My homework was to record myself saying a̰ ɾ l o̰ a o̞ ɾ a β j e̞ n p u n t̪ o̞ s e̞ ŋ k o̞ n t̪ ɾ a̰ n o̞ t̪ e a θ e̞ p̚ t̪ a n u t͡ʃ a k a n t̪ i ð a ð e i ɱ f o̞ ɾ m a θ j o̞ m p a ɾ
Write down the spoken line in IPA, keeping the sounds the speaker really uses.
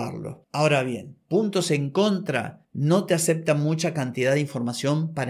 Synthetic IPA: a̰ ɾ l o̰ a o̞ ɾ a β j e̞ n p u n t̪ o̞ s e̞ ŋ k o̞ n t̪ ɾ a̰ n o̞ t̪ e a s e̞ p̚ t̪ a m u t͡ʃ a k a n t̪ i ð a ð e i ɱ f o̞ ɾ m a s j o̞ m p a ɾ